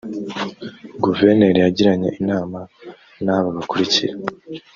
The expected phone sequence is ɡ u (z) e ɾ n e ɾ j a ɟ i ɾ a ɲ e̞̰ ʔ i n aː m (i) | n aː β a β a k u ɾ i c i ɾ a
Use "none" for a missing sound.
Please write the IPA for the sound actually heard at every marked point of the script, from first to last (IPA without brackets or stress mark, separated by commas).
v, a